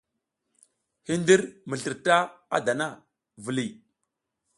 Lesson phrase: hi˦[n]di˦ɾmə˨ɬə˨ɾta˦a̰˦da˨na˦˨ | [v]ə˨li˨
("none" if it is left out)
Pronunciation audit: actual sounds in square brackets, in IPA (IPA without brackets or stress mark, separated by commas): n, v